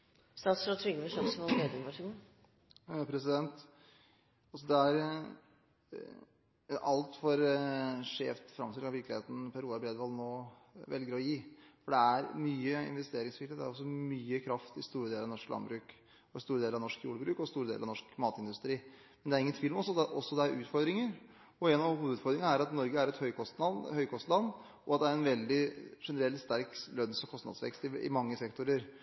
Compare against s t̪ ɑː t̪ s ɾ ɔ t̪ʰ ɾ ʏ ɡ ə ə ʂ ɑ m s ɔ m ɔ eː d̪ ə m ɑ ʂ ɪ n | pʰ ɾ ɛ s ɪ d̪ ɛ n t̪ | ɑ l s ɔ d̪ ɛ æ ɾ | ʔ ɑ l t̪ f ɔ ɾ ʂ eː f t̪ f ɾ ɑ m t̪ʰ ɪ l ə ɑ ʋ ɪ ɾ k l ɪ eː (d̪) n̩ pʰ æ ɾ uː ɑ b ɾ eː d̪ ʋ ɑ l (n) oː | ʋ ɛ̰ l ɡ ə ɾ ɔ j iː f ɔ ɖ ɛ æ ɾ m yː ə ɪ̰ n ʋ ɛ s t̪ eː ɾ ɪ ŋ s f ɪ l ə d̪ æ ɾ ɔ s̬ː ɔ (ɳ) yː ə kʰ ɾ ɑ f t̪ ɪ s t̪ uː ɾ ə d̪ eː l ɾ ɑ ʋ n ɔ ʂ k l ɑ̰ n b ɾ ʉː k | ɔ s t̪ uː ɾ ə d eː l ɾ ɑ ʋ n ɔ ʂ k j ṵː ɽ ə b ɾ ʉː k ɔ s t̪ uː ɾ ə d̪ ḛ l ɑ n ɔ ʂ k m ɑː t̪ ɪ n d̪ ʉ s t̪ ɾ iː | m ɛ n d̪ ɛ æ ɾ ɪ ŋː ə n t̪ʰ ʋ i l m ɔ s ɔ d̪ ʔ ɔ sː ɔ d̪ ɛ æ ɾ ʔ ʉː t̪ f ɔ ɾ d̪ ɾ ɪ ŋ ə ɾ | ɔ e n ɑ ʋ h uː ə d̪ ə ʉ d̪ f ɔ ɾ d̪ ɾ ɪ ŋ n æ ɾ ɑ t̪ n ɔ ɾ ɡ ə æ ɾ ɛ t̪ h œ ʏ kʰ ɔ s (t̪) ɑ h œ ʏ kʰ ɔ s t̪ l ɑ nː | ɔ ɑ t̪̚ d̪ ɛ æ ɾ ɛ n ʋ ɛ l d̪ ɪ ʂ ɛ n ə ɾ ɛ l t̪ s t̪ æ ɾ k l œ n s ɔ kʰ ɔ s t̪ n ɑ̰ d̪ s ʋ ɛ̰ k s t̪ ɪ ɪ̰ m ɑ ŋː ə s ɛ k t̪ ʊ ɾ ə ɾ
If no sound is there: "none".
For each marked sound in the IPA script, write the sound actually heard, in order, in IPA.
t̪, n, m, t̪

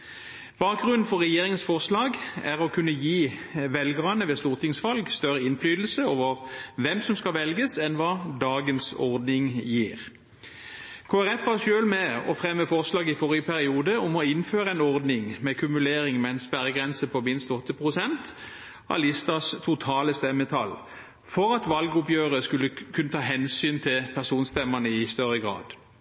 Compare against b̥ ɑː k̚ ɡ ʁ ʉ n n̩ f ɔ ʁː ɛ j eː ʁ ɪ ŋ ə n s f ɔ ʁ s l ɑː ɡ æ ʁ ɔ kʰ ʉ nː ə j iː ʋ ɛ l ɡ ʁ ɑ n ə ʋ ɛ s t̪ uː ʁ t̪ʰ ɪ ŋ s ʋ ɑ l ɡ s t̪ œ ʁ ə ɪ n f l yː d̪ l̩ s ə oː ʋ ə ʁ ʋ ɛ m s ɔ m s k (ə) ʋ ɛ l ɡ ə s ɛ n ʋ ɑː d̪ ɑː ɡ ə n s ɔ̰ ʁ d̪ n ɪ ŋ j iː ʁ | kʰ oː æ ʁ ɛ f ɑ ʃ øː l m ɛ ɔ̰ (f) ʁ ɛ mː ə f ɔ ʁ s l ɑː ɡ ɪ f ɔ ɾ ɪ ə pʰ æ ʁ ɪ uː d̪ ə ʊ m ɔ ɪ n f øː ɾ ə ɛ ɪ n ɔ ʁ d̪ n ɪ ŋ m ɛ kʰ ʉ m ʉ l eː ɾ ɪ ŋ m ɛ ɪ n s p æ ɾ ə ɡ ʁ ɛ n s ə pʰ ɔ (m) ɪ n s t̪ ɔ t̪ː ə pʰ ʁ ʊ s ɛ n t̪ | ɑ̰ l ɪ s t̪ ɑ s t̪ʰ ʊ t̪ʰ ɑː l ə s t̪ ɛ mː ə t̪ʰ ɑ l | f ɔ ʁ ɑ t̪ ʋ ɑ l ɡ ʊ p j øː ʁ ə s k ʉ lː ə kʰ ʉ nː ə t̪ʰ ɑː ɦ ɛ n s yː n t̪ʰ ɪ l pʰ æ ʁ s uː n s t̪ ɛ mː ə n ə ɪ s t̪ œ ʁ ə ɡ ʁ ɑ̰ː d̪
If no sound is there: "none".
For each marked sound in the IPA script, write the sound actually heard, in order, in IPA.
ɑ, f, m

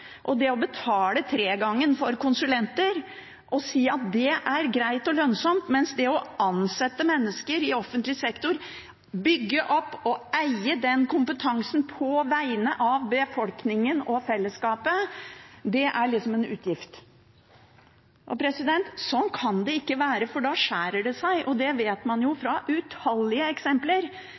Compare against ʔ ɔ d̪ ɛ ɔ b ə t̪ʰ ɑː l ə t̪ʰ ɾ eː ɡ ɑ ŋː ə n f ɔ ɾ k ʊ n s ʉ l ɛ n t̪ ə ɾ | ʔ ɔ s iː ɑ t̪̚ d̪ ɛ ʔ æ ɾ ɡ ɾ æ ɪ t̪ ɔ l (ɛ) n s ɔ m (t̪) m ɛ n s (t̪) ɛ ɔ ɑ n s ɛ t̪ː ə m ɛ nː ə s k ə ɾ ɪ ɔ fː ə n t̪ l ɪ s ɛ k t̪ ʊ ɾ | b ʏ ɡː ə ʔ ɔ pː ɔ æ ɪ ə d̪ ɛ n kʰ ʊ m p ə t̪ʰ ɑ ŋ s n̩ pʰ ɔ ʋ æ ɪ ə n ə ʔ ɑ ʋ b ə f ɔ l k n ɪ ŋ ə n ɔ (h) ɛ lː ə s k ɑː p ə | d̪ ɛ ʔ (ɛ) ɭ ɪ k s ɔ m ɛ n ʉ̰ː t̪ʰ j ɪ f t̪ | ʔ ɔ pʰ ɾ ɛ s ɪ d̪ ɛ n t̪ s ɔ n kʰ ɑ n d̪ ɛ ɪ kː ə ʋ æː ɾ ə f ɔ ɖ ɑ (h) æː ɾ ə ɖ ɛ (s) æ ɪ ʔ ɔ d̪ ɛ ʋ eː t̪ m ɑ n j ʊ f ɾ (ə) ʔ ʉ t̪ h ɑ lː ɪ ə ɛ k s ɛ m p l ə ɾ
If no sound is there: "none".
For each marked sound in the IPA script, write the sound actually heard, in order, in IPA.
œ, t̪, d̪, f, æ, ʂ, s, ɑ

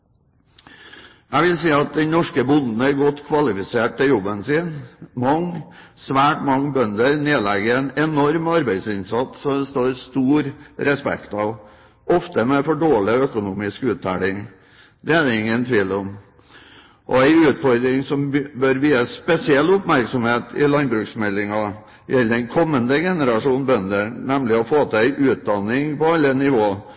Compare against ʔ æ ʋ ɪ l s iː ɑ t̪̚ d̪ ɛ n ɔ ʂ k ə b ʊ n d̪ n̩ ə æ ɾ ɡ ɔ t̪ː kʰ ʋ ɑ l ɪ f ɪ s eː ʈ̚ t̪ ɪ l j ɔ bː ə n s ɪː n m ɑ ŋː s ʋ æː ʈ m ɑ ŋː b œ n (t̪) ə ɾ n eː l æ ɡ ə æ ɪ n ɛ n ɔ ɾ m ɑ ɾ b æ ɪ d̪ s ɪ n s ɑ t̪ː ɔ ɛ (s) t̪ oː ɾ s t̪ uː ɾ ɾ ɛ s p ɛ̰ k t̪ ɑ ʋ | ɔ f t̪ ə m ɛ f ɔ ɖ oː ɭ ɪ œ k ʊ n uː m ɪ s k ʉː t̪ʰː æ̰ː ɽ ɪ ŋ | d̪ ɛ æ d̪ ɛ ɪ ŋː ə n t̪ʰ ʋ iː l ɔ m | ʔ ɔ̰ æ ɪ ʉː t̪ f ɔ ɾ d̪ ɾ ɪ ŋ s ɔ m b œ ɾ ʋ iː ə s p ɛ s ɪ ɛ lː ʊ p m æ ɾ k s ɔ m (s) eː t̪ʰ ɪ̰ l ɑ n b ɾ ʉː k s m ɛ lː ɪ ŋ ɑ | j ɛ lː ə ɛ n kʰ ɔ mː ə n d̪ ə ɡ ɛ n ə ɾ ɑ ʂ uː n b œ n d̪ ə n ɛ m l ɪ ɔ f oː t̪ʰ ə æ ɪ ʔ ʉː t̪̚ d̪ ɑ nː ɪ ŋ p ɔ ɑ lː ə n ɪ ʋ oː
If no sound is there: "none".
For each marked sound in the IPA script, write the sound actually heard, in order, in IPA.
d̪, s, h

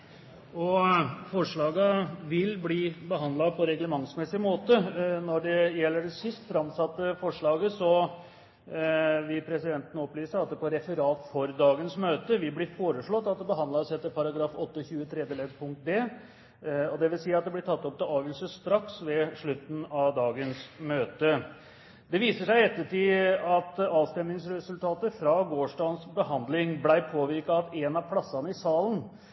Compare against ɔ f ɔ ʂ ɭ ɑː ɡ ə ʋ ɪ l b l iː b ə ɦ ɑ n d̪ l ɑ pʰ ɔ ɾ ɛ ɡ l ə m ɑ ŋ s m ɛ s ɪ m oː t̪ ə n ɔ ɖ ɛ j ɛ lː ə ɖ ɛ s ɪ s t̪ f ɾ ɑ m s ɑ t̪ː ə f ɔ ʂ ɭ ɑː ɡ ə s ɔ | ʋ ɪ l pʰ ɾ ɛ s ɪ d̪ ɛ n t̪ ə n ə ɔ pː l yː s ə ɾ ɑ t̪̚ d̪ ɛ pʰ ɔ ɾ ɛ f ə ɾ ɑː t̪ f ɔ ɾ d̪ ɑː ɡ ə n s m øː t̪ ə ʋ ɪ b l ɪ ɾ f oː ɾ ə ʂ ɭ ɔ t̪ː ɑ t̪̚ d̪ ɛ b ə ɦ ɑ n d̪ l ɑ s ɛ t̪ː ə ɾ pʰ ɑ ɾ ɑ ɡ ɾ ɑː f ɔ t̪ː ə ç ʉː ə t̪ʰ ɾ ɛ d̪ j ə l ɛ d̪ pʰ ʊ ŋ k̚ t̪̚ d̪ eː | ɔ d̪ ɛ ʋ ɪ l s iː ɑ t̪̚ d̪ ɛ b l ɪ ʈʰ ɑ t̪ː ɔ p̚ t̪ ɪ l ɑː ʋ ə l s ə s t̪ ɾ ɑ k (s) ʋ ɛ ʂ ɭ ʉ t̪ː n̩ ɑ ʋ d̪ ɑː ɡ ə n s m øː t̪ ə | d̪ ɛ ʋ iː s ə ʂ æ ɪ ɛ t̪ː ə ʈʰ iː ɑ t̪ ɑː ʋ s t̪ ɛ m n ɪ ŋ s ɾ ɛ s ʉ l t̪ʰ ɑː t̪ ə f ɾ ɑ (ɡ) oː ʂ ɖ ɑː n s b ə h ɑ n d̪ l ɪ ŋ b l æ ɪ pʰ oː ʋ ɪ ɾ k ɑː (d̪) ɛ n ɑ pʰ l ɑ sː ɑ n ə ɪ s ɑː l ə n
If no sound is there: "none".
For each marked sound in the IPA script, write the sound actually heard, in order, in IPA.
s, ɡ, t̪

